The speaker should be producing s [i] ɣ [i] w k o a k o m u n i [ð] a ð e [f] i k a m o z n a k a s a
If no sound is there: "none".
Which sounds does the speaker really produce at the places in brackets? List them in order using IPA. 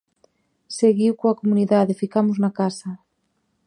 e, i, ð, f

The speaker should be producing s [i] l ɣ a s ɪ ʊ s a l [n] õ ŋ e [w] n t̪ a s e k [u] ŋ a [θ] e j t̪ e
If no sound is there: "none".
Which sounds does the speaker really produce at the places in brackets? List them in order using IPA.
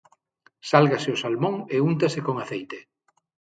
a, m, u, o, θ

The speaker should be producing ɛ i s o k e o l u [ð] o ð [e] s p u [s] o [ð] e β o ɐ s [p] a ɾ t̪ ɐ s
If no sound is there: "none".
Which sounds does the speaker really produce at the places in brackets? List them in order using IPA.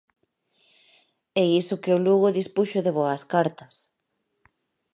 ɣ, i, ʃ, ð, k

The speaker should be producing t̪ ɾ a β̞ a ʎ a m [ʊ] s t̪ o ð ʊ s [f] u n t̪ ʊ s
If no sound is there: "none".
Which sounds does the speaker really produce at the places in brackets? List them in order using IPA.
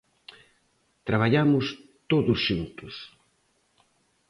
ʊ, ʃ

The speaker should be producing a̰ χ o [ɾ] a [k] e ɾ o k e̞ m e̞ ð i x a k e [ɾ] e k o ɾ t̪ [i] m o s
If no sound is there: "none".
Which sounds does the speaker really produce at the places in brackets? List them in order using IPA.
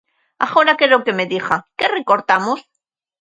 ɾ, k, r, a

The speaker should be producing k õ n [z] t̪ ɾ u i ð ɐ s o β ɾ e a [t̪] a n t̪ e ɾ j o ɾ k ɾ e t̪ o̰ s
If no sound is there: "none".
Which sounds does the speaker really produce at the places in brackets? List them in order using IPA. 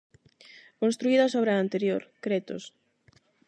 s, none

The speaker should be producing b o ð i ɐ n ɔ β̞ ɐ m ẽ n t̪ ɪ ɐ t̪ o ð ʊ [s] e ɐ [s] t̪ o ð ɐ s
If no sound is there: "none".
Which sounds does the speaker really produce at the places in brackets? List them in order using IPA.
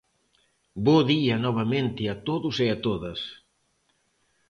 s, none

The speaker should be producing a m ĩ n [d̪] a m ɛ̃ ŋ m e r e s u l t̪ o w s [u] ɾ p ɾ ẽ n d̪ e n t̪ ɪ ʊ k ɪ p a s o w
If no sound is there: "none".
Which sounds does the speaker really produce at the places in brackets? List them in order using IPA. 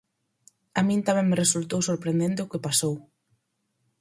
t̪, o

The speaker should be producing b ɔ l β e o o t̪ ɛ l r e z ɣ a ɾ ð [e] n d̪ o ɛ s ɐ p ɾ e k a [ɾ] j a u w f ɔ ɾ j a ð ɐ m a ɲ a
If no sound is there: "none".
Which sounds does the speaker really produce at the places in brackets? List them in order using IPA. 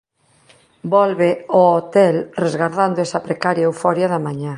a, ɾ

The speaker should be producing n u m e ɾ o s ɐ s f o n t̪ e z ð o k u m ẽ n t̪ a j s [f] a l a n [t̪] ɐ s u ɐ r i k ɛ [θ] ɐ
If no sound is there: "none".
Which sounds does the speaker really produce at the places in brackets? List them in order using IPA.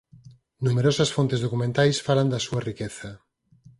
f, d̪, θ

